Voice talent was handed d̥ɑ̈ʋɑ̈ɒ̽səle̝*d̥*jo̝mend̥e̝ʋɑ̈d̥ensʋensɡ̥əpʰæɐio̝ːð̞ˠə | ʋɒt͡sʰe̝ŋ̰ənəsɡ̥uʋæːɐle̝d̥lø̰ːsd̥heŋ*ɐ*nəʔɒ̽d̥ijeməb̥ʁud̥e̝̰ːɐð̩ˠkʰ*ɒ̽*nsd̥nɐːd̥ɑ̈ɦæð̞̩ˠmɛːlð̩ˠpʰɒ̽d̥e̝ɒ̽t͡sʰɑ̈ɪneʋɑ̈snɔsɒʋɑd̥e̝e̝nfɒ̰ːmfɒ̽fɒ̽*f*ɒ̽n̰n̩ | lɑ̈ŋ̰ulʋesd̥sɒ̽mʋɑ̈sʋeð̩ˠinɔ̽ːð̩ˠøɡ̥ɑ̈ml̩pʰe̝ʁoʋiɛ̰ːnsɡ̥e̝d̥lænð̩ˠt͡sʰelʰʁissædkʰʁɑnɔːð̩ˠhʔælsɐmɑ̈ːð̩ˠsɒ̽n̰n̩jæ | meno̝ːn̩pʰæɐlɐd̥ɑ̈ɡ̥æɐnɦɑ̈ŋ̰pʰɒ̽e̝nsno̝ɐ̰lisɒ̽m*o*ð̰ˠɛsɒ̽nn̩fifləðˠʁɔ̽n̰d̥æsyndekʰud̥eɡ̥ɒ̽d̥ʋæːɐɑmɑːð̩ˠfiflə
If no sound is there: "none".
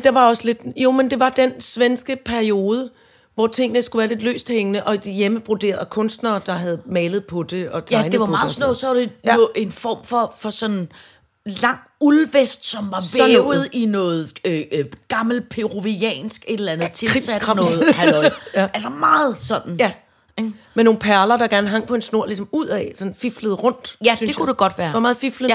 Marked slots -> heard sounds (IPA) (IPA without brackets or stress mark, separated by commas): d̥, ə, ɔ̽, s, u